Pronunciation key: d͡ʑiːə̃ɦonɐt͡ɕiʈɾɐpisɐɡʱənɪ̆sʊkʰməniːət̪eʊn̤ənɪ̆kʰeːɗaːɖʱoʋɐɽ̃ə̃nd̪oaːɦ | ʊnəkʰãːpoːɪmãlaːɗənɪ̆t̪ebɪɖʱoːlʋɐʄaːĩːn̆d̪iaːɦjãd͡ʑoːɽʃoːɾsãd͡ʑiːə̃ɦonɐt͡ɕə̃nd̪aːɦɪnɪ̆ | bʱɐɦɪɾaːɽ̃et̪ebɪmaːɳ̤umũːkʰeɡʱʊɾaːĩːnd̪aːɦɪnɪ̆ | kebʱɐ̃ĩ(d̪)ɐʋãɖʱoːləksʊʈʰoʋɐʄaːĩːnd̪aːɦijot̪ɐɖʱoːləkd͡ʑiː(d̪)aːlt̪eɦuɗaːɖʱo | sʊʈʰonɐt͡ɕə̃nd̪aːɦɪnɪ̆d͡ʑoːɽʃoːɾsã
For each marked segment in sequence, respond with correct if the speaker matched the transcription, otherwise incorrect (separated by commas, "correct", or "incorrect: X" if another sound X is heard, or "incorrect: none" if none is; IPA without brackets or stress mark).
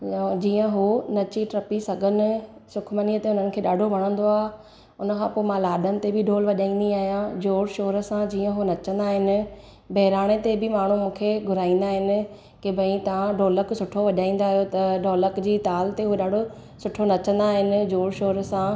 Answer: incorrect: t̪, incorrect: t̪